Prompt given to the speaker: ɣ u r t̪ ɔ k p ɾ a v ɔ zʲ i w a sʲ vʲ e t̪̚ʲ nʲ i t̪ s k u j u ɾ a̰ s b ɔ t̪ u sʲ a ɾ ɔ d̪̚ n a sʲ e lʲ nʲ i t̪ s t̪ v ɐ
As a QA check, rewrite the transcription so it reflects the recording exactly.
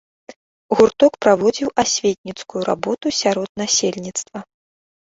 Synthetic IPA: ɣ u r t̪ ɔ k p ɾ a v ɔ d͡zʲ i w a sʲ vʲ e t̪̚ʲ nʲ i t̪ s k u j u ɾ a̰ b ɔ t̪ u sʲ a ɾ ɔ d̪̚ n a sʲ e lʲ nʲ i t̪ s t̪ v ɐ